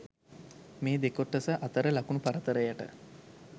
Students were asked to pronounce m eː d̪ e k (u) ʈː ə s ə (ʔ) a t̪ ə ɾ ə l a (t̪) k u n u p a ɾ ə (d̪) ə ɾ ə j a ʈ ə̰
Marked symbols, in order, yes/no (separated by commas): no, yes, no, no